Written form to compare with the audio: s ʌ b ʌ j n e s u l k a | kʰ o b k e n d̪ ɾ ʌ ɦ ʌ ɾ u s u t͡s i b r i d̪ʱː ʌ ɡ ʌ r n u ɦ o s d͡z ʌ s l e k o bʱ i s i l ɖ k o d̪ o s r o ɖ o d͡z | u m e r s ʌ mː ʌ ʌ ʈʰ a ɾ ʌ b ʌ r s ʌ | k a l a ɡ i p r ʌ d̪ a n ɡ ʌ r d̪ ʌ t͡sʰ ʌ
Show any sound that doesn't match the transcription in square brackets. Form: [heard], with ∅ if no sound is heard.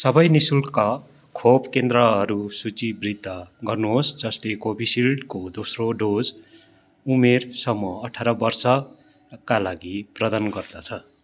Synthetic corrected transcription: s ʌ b ʌ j n [i] s u l k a | kʰ o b k e n d̪ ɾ ʌ ɦ ʌ ɾ u s u t͡s i b r i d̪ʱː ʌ ɡ ʌ r n u ɦ o s d͡z ʌ s l e k o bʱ i s i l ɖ k o d̪ o s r o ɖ o d͡z | u m e r s ʌ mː ʌ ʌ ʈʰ a ɾ ʌ b ʌ r s ʌ | k a l a ɡ i p r ʌ d̪ a n ɡ ʌ r d̪ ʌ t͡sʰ ʌ